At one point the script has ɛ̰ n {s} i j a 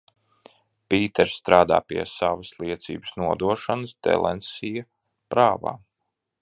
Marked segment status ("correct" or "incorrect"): correct